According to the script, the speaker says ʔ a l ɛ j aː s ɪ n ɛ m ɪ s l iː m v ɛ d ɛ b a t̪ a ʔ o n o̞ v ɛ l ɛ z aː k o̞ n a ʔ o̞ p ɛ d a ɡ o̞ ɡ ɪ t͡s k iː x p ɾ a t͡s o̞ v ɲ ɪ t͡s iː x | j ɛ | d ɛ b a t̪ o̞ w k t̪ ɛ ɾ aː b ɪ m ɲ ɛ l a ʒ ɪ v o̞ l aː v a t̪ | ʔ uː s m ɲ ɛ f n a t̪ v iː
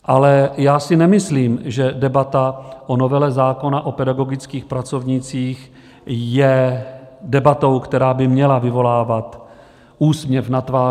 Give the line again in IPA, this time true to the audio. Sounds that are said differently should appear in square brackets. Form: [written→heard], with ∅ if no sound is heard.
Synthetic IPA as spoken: ʔ a l ɛ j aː s ɪ n ɛ m ɪ s l iː m [v→ʒ] ɛ d ɛ b a t̪ a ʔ o n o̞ v ɛ l ɛ z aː k o̞ n a ʔ o̞ p ɛ d a ɡ o̞ ɡ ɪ t͡s k iː x p ɾ a t͡s o̞ v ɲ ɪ t͡s iː x | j ɛ | d ɛ b a t̪ o̞ w k t̪ ɛ ɾ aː b ɪ m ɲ ɛ l a [ʒ→v] ɪ v o̞ l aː v a t̪ | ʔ uː s m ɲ ɛ f n a t̪ v [iː→aː]

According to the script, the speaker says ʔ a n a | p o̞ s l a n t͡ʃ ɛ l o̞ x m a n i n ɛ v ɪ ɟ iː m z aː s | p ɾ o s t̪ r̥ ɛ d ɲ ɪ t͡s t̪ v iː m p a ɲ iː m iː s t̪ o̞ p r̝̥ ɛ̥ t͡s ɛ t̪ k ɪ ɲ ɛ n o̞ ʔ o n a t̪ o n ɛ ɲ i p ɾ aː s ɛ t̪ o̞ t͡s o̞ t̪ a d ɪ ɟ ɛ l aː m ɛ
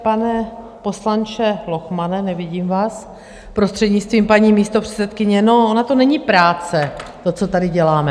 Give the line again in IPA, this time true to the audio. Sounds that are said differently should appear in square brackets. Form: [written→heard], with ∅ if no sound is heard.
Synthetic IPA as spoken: [ʔ→p] a n [a→ɛ] | p o̞ s l a n t͡ʃ ɛ l o̞ x m a n [i→ɛ] n ɛ v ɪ ɟ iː m [z→v] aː s | p ɾ o s t̪ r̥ ɛ d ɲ ɪ t͡s t̪ v iː m p a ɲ iː m iː s t̪ o̞ p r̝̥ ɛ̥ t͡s ɛ t̪ k ɪ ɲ ɛ n o̞ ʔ o n a t̪ o n ɛ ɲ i p ɾ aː [s→t͡s] ɛ t̪ o̞ t͡s o̞ t̪ a d ɪ ɟ ɛ l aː m ɛ

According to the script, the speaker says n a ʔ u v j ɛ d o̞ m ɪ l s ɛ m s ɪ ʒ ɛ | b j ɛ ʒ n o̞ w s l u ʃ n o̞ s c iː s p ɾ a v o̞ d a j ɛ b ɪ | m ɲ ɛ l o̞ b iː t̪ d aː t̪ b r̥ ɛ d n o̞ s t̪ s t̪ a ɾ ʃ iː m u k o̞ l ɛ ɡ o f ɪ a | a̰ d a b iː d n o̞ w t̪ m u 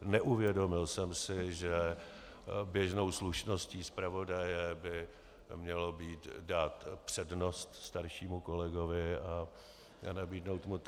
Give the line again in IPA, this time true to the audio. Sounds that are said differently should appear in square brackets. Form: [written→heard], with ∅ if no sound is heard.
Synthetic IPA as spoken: n [a→ɛ] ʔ u v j ɛ d o̞ m ɪ l s ɛ m s ɪ ʒ ɛ | b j ɛ ʒ n o̞ w s l u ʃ n o̞ s c iː s p ɾ a v o̞ d a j ɛ b ɪ | m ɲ ɛ l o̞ b iː t̪ d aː t̪ [b→p] r̥ ɛ d n o̞ s t̪ s t̪ a ɾ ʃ iː m u k o̞ l ɛ ɡ o [f→v] ɪ a | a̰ [d→n] a b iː d n o̞ w t̪ m u

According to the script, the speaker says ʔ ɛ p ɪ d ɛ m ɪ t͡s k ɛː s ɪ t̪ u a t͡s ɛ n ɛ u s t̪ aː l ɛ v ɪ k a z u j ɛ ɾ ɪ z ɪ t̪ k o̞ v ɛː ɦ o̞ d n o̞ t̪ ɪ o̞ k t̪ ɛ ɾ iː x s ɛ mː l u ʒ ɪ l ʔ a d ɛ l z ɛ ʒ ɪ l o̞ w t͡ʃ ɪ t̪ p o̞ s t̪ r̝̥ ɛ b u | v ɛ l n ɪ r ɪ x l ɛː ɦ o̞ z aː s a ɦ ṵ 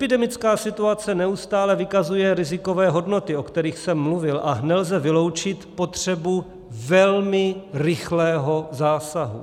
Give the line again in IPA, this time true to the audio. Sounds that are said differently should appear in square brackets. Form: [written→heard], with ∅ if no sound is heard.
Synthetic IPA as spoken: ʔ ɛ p ɪ d ɛ m ɪ t͡s k [ɛː→aː] s ɪ t̪ u a t͡s ɛ n ɛ u s t̪ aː l ɛ v ɪ k a z u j ɛ ɾ ɪ z ɪ [t̪→∅] k o̞ v ɛː ɦ o̞ d n o̞ t̪ ɪ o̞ k t̪ ɛ ɾ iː x s ɛ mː l u [ʒ→v] ɪ l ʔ a [d→n] ɛ l z ɛ [ʒ→v] ɪ l o̞ w t͡ʃ ɪ t̪ p o̞ [s→∅] t̪ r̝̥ ɛ b u | v ɛ l [n→m] ɪ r ɪ x l ɛː ɦ o̞ z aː s a ɦ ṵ

